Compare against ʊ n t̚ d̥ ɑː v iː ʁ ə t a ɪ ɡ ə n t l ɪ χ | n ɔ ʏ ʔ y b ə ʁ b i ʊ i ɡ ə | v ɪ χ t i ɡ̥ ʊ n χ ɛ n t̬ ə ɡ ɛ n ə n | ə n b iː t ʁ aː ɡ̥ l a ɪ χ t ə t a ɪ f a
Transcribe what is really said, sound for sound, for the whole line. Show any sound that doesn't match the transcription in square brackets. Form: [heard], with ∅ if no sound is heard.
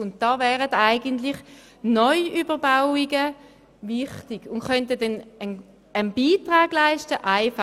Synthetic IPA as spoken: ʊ n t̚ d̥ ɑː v [ɛː] ʁ ə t a ɪ ɡ ə n t l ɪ χ | n ɔ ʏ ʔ y b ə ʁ b [a] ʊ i ɡ ə | v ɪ χ t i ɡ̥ ʊ n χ [œ] n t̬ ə [d] ɛ n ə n | ə n b iː t ʁ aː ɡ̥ l a ɪ [ʃ] t ə [ʔ] a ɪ f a